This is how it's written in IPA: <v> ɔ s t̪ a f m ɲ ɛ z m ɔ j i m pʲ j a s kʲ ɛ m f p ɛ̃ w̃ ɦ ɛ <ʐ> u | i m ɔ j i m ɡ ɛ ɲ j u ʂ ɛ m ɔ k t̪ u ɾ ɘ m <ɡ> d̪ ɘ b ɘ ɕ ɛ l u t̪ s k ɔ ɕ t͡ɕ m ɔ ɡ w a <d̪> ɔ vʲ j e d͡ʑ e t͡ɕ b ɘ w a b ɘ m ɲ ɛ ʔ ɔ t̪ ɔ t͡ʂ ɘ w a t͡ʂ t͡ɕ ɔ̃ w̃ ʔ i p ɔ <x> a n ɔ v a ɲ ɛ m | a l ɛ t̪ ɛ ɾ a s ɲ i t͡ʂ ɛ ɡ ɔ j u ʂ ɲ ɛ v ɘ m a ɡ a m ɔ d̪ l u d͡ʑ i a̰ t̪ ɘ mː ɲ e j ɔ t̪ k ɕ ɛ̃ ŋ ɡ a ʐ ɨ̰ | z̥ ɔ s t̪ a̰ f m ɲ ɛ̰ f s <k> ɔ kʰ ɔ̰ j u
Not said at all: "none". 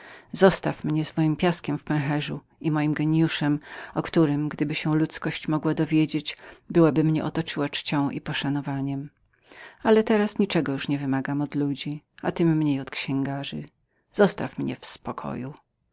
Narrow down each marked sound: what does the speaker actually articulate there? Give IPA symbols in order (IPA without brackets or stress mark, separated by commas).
z, ʐ, ɡ, d̪, ʂ, p